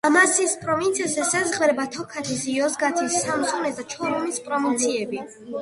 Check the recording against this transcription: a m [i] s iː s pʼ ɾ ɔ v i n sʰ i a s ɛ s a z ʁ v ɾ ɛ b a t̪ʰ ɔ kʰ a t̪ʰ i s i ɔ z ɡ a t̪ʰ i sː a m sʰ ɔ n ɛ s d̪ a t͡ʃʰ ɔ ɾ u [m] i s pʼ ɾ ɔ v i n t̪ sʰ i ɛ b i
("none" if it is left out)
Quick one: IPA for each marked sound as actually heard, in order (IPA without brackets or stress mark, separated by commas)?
a, m